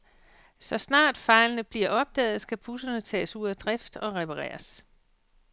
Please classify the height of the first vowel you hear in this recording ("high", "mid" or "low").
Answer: low